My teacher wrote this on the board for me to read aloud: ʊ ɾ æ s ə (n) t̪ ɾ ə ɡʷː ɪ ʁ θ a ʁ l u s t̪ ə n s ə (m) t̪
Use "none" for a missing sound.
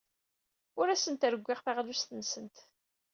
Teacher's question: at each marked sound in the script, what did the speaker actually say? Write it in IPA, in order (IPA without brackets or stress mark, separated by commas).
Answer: n, n